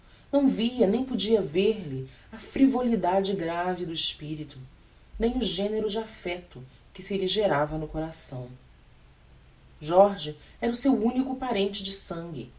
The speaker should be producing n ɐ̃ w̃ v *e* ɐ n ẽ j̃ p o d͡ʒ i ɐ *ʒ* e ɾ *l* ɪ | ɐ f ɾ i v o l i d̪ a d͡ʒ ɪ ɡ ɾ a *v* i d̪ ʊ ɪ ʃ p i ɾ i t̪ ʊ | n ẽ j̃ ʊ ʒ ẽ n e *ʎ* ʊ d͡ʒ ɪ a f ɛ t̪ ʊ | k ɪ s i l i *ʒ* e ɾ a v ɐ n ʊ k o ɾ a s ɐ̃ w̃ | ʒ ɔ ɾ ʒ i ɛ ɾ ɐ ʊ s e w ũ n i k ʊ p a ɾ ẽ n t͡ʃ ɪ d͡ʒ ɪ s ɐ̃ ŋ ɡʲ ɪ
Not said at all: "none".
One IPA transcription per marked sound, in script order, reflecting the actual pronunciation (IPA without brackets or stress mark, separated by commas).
i, v, l, v, ɾ, ʒ